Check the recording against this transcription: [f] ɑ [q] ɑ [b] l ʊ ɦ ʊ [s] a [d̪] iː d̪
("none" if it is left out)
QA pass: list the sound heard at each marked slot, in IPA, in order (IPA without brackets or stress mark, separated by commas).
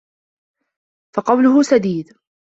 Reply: f, q, w, s, d̪